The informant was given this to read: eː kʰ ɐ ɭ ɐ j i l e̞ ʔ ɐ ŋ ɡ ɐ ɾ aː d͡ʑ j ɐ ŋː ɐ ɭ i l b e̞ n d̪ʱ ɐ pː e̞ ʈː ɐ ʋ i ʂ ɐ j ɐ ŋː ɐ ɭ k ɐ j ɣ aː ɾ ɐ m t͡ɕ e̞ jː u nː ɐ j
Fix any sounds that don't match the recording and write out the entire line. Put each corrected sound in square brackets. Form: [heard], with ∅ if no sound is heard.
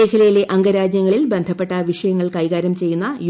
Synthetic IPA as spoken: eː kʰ ɐ [l] ɐ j i l e̞ ʔ ɐ ŋ ɡ ɐ ɾ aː d͡ʑ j ɐ ŋː ɐ ɭ i l b e̞ n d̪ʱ ɐ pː e̞ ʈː ɐ ʋ i ʂ ɐ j ɐ ŋː ɐ ɭ k ɐ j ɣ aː ɾ ɐ m t͡ɕ e̞ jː u nː ɐ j